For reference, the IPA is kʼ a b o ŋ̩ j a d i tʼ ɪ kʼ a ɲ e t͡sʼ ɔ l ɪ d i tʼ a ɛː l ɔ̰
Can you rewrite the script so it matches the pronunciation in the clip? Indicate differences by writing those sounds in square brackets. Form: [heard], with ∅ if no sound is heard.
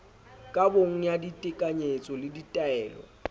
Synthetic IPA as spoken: kʼ a b o ŋ̩ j a d i tʼ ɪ kʼ a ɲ e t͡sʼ ɔ l ɪ d i tʼ a ɛː l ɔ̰